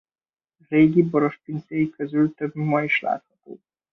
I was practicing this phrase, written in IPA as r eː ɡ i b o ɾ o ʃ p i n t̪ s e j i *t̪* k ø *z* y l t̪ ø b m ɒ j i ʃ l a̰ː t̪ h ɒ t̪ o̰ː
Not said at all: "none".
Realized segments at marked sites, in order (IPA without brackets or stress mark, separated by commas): none, z